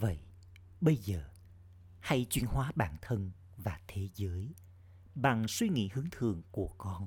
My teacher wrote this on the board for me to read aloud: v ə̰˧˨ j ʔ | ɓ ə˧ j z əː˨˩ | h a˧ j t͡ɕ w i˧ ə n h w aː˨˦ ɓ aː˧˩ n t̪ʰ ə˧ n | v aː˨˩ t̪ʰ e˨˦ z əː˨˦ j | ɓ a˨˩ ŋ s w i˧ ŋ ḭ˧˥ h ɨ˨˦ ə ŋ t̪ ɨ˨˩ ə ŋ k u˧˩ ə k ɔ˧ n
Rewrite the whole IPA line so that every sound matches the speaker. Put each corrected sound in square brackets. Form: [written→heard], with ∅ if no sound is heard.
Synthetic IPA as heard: v ə̰˧˨ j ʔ | ɓ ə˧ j z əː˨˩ | h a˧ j t͡ɕ w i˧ ə n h w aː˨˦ ɓ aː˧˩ n t̪ʰ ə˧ n | v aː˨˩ t̪ʰ e˨˦ z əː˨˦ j | ɓ a˨˩ ŋ s w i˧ ŋ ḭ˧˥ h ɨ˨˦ ə ŋ [t̪→t̪ʰ] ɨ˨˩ ə ŋ k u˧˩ ə k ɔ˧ n